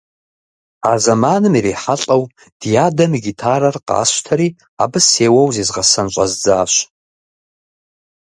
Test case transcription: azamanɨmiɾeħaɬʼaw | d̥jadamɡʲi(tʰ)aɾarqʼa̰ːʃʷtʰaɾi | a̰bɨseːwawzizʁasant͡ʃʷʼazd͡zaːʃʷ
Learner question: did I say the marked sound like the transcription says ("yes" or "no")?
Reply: yes